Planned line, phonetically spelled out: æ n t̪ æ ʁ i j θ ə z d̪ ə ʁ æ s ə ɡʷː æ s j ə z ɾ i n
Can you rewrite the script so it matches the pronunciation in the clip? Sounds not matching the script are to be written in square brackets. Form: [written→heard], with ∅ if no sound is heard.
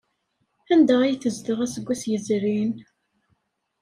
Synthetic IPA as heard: æ n [t̪→d̪] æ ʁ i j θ ə z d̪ ə ʁ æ s ə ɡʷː æ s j ə z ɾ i n